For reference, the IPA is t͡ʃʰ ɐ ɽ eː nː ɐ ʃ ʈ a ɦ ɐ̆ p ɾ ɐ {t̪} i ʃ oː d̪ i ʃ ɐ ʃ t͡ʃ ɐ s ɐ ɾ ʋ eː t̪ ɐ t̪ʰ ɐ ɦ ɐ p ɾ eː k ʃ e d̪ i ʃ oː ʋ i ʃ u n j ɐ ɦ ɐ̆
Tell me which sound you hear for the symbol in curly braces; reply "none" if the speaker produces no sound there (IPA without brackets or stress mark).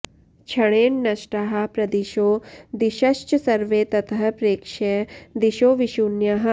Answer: d̪